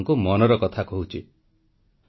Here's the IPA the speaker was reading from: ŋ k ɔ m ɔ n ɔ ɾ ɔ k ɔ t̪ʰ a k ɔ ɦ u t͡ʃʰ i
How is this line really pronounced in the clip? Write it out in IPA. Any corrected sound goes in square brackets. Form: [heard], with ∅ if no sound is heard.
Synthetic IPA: ŋ k [u] m ɔ n ɔ ɾ ɔ k ɔ t̪ʰ a k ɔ ɦ u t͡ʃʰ i